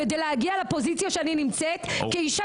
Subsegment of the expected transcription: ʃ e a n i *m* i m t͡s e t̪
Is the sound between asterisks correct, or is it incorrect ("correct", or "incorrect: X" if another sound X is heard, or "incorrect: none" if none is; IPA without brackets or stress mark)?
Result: incorrect: n